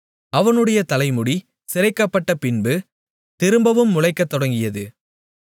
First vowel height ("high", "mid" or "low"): low